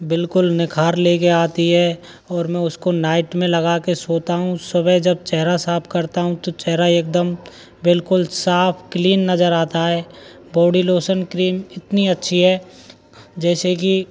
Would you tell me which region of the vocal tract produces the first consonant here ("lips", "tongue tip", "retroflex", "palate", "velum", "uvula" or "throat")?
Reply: lips